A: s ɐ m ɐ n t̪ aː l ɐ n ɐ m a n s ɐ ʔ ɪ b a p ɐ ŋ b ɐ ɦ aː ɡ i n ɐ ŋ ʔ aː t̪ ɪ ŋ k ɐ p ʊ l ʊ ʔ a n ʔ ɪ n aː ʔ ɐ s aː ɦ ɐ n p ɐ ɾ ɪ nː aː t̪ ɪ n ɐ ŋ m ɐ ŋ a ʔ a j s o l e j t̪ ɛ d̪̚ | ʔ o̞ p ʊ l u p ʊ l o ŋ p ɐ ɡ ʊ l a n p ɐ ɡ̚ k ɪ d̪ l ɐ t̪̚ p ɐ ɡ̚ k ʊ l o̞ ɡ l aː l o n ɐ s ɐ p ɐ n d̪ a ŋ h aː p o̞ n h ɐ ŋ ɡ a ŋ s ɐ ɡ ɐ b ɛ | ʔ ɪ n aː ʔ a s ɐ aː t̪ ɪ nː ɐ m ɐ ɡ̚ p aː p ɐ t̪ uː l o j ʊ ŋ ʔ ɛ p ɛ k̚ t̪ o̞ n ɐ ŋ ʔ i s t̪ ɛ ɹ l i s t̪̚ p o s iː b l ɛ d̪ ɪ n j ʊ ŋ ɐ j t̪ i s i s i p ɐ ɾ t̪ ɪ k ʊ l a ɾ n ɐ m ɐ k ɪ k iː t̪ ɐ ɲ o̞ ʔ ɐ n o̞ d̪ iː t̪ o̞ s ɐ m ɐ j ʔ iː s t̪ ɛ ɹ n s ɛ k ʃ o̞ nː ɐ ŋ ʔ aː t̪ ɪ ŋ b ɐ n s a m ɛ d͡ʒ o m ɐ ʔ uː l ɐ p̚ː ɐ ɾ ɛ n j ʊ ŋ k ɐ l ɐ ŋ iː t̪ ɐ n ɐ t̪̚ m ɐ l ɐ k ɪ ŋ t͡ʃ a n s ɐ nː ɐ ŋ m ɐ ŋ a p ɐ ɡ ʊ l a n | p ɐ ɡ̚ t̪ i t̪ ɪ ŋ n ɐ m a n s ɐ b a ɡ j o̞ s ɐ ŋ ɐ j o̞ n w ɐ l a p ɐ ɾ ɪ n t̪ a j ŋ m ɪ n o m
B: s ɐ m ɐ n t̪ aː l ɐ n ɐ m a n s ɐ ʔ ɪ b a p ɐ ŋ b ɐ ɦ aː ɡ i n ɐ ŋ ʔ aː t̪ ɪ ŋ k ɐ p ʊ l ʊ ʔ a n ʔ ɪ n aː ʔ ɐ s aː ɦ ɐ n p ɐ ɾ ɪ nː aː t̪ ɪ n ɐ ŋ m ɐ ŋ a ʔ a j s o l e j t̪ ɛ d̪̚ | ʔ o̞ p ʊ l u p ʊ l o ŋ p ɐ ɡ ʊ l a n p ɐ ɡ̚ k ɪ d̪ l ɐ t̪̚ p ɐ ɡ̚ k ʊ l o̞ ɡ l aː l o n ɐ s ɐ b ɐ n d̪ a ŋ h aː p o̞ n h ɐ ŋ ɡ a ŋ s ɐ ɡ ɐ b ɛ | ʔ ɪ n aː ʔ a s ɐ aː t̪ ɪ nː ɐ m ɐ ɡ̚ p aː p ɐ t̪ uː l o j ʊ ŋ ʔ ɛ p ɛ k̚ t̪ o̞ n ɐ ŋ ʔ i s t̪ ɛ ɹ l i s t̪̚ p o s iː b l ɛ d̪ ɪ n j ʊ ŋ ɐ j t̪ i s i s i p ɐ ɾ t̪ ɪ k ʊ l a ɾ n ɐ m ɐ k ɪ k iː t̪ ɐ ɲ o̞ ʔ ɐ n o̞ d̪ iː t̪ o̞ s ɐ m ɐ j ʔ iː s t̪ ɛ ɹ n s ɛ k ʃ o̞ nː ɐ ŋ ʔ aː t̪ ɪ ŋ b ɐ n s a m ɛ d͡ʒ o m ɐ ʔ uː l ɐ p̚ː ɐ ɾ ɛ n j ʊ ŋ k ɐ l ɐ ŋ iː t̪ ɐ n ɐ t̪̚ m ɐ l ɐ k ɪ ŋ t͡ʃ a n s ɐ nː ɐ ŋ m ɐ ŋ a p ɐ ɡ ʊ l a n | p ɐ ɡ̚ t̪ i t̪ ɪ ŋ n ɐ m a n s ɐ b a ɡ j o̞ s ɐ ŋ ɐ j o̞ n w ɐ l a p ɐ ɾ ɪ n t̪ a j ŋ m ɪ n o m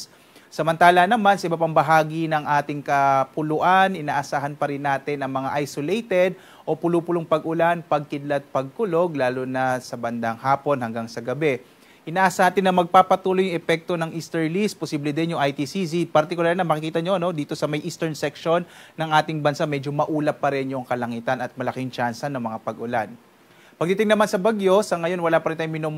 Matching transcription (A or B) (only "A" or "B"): B